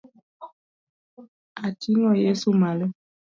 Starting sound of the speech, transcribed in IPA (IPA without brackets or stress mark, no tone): a